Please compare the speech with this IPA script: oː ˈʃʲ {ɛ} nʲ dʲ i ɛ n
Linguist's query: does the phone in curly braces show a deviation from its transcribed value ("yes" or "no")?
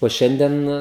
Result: no